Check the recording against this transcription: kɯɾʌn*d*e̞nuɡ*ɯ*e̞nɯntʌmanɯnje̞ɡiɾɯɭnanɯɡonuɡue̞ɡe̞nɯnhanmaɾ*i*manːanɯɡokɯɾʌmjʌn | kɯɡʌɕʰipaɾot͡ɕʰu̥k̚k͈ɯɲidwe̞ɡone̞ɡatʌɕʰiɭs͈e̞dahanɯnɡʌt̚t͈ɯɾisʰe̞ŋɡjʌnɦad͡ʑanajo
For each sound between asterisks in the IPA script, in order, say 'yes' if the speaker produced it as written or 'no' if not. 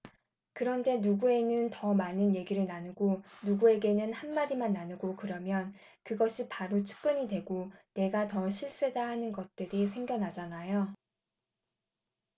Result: yes, no, yes

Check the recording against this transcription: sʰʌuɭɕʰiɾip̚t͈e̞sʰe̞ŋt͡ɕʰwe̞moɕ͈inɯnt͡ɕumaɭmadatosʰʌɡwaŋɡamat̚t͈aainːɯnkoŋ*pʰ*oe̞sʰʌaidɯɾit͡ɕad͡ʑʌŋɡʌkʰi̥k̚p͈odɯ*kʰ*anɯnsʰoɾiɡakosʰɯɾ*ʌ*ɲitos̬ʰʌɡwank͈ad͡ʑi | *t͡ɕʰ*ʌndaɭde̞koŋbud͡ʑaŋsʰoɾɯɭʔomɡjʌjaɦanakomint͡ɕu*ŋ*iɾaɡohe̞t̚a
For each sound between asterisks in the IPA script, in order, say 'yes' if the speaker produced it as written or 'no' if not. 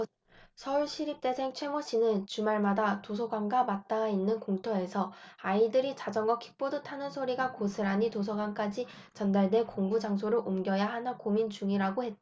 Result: no, no, no, no, yes

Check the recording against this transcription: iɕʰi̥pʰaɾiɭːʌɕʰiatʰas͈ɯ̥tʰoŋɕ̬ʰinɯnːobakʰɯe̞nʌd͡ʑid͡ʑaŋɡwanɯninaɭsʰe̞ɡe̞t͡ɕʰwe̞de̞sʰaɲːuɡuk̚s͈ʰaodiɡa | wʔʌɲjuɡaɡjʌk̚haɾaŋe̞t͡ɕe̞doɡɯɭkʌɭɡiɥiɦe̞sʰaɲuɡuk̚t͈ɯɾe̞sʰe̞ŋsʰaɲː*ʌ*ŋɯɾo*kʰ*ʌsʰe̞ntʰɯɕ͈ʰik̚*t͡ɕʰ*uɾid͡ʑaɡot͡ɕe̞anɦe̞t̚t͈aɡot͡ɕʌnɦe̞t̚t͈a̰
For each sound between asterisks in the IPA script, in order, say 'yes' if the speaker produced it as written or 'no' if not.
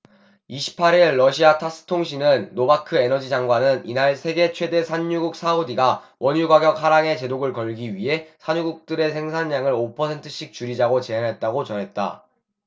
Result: no, no, no

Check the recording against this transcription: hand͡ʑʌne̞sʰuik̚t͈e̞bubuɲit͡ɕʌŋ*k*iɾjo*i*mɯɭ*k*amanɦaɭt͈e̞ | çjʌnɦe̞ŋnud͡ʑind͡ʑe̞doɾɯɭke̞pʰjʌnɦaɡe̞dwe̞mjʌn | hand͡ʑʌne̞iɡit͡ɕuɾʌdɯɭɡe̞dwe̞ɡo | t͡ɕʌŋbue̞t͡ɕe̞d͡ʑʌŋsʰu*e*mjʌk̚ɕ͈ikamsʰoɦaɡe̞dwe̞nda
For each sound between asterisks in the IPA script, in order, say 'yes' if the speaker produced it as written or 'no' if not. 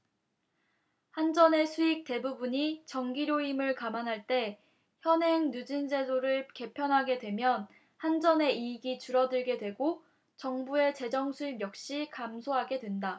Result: no, yes, yes, no

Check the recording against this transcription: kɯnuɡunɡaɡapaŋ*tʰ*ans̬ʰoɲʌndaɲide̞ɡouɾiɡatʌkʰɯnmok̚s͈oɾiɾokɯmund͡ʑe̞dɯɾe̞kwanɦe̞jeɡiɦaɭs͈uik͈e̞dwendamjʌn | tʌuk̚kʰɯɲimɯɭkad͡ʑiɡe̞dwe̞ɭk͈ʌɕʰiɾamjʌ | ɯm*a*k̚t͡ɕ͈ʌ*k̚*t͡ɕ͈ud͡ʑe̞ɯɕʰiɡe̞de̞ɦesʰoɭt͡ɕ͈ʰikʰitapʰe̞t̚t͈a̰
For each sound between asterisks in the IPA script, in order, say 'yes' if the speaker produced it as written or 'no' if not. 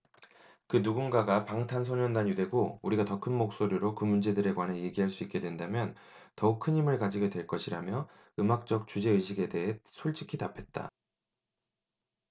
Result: yes, yes, yes

